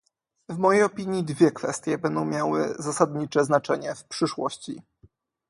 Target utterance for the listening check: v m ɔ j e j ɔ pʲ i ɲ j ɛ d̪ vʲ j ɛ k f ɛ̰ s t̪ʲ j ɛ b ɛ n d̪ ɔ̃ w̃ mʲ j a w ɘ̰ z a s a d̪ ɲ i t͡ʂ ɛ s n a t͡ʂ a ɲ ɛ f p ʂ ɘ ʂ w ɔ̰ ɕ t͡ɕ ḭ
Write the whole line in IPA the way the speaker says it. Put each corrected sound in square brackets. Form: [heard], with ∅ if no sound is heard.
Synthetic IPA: v m ɔ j e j ɔ pʲ i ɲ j [i] d̪ vʲ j ɛ k f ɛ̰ s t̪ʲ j ɛ b ɛ n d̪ ɔ̃ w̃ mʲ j a w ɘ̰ z a s a d̪ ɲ i t͡ʂ ɛ [z] n a t͡ʂ [ɛ] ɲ ɛ f p ʂ ɘ ʂ w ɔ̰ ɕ t͡ɕ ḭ

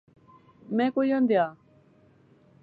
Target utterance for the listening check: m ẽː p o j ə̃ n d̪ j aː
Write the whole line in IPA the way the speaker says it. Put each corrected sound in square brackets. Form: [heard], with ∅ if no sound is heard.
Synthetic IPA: m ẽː [k] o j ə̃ n d̪ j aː

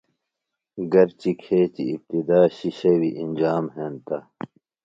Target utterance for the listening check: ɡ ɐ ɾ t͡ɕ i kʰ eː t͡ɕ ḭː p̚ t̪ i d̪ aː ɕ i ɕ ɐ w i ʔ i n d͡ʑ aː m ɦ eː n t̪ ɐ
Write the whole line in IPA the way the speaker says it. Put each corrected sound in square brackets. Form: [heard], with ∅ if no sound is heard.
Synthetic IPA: ɡ ɐ ɾ t͡ɕ i kʰ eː t͡ɕ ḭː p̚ t̪ i d̪ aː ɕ i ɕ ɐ w i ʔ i n d͡ʑ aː m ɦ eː n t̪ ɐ

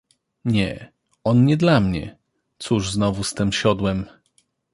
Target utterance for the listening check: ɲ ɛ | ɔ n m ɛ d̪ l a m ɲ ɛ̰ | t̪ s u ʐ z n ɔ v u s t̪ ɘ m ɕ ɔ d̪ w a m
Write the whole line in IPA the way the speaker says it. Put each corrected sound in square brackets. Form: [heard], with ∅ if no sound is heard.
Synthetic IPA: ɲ ɛ | ɔ n [ɲ] ɛ d̪ l a m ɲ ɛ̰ | t̪ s u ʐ z n ɔ v u s t̪ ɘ m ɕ ɔ d̪ w [ɛ] m

